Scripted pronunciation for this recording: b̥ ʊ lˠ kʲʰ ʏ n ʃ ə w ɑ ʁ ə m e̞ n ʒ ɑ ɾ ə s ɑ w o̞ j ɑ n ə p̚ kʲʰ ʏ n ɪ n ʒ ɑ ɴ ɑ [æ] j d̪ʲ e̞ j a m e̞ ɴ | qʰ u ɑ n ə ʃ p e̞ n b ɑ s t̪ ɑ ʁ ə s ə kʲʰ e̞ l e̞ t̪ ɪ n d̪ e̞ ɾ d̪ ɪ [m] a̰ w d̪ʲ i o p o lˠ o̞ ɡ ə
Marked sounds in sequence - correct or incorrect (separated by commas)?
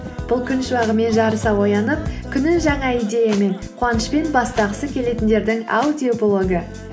incorrect, incorrect